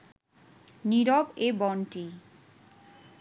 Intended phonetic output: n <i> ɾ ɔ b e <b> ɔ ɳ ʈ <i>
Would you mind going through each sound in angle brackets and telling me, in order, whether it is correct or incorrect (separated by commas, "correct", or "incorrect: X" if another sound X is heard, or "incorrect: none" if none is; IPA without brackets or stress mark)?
correct, correct, correct